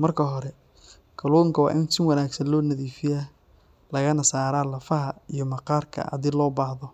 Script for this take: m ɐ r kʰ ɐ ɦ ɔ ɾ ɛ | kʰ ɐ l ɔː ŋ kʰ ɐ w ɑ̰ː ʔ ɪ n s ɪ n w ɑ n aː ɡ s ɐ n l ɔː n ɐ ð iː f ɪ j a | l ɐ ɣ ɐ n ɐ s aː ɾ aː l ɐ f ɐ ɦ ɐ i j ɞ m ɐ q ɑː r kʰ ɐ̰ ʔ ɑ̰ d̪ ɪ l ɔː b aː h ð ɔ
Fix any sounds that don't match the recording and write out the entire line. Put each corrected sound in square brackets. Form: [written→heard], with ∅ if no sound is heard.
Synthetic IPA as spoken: m ɐ r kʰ ɐ ɦ ɔ ɾ ɛ | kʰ ɐ l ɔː ŋ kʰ ɐ w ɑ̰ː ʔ ɪ n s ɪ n w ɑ n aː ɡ s ɐ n l ɔː n ɐ ð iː f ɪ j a | l ɐ ɣ ɐ n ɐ s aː ɾ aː l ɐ f ɐ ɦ ɐ i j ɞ m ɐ q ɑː r kʰ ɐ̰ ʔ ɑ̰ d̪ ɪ l ɔː b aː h ð ɔ